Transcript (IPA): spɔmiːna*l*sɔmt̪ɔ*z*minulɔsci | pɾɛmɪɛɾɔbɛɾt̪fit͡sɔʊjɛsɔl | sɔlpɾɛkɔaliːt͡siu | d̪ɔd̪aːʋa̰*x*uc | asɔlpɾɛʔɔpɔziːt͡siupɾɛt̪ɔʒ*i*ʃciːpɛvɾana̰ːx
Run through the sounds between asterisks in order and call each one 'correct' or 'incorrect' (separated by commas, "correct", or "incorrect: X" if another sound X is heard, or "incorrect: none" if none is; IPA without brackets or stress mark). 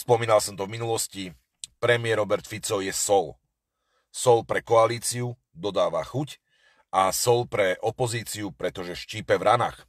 correct, incorrect: v, correct, incorrect: ɛ